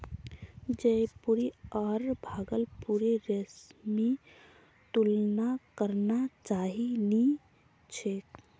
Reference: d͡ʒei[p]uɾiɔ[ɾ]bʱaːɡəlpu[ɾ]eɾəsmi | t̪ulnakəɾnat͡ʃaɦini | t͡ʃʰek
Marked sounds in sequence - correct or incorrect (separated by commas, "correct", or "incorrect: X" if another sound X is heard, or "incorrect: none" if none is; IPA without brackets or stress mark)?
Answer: correct, correct, correct